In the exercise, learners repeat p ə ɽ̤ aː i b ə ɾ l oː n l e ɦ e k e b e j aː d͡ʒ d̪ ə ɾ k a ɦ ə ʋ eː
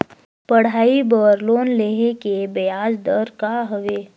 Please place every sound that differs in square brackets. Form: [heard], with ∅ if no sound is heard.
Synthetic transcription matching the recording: p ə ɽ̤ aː i b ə ɾ l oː n l e ɦ e k e b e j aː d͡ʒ d̪ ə ɾ k a ɦ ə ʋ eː

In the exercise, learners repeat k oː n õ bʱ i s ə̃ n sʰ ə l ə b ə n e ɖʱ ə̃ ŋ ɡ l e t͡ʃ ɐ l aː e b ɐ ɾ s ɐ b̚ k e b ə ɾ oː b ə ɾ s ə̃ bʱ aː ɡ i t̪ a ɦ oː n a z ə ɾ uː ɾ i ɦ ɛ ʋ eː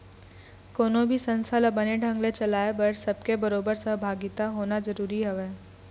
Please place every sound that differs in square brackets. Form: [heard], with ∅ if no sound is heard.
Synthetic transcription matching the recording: k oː n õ bʱ i s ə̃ n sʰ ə l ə b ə n e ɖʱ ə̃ ŋ ɡ l e t͡ʃ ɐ l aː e b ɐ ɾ s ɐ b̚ k e b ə ɾ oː b ə ɾ s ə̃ bʱ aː ɡ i t̪ a ɦ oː n a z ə ɾ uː ɾ i ɦ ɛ ʋ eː

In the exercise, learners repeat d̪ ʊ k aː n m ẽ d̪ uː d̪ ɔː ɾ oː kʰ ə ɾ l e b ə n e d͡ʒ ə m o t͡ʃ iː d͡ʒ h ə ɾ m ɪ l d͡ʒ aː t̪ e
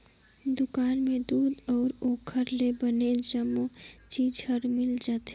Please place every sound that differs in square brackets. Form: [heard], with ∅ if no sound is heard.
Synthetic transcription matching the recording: d̪ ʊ k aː n m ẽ d̪ uː d̪ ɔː ɾ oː kʰ ə ɾ l e b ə n e d͡ʒ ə m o t͡ʃ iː d͡ʒ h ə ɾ m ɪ l d͡ʒ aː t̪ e

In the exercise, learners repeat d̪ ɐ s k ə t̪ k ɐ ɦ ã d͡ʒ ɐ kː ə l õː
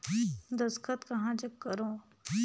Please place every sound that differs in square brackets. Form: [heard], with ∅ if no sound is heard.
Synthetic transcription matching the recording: d̪ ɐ s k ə t̪ k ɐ ɦ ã d͡ʒ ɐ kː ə [ɾ] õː

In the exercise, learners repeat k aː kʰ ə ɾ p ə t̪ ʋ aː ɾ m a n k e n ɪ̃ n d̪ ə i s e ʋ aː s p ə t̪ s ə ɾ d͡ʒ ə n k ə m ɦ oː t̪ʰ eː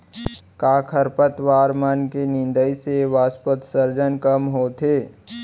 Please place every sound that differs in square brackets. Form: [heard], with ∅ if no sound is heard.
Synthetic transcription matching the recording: k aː kʰ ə ɾ p ə t̪ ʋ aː ɾ m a n k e n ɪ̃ n d̪ ə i s e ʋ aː s p ə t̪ s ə ɾ d͡ʒ ə n k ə m ɦ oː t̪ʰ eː

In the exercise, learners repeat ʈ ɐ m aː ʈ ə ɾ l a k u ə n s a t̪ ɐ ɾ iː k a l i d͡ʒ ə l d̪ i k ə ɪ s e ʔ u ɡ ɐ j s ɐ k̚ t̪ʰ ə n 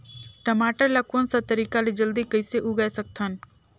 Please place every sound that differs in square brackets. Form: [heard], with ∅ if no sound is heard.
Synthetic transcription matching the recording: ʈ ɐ m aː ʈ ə ɾ l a k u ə n s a t̪ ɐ ɾ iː k a l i d͡ʒ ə l d̪ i k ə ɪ s e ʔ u ɡ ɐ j s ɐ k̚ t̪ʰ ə n

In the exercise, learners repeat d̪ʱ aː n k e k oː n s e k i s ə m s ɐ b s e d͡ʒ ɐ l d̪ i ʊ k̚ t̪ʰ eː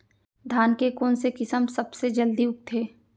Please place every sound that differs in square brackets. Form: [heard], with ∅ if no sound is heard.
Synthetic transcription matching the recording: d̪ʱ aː n k e k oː n s e k [ɪ] s ə m s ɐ b s e d͡ʒ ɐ l d̪ i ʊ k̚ t̪ʰ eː

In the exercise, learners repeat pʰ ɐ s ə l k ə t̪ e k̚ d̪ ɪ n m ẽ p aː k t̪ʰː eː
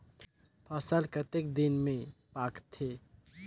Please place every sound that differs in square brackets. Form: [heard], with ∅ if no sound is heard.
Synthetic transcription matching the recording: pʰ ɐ s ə l k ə t̪ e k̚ d̪ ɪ n m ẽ p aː k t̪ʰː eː

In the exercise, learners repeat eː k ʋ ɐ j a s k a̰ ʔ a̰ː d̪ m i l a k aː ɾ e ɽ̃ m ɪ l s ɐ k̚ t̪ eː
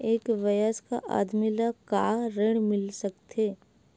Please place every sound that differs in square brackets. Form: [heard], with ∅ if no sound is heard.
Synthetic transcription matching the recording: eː k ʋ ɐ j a s k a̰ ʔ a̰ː d̪ m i l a k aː ɾ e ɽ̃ m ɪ l s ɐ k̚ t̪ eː

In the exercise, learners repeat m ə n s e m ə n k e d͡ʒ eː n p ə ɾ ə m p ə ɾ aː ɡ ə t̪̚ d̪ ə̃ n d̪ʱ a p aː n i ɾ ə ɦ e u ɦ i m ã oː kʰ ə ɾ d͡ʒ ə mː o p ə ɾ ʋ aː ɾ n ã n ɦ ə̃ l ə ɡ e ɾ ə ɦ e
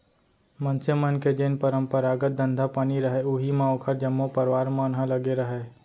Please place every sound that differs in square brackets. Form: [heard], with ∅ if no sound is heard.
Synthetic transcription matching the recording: m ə n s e m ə n k e d͡ʒ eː n p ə ɾ ə m p ə ɾ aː ɡ ə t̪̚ d̪ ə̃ n d̪ʱ a p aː n i ɾ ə ɦ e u ɦ i m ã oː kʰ ə ɾ d͡ʒ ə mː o p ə ɾ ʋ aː ɾ [m] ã n ɦ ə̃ l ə ɡ e ɾ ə ɦ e

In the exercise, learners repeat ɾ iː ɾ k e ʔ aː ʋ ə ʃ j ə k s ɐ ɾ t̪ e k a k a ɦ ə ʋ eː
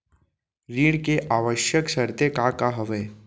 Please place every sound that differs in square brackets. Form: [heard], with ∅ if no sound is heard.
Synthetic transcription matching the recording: ɾ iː [ɽ] k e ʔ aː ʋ ə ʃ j ə k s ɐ ɾ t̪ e k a k a ɦ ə ʋ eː

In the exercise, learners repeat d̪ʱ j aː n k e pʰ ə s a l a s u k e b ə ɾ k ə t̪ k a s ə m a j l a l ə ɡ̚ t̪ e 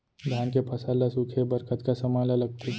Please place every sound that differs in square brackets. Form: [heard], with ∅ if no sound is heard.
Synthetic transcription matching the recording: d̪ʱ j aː n k e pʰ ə s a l a s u [kʰ] e b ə ɾ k ə t̪ k a s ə m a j l a l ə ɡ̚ t̪ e

